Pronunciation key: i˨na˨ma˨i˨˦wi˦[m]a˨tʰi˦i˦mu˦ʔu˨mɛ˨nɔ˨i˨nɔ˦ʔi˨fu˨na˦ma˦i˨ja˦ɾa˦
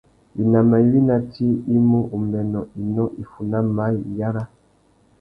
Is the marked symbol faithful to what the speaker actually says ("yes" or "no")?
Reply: no